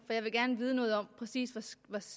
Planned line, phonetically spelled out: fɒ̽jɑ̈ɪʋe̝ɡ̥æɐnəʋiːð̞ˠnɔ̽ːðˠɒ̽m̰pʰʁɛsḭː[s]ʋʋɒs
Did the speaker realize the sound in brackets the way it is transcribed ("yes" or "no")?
yes